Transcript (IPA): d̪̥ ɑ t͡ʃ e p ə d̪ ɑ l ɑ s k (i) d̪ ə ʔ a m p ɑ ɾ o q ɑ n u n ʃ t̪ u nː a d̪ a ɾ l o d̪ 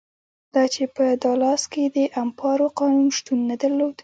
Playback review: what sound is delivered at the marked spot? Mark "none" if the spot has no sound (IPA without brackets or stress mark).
e